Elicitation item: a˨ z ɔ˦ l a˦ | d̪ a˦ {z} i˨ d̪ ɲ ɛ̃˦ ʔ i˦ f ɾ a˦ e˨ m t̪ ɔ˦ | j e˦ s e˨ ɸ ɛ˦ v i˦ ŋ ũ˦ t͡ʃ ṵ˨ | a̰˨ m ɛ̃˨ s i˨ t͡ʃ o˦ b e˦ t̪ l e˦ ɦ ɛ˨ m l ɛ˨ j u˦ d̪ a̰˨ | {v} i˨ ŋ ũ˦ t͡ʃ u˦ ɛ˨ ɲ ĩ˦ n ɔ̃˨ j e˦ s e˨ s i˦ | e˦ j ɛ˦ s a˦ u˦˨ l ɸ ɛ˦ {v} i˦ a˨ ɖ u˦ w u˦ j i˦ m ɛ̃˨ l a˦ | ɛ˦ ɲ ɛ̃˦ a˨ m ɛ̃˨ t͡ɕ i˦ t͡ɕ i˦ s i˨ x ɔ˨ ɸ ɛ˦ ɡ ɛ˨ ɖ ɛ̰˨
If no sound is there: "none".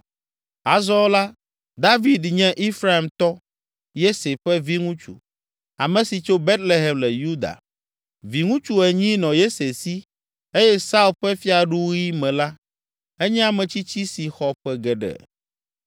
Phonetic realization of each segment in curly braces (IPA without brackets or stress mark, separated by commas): v, v, f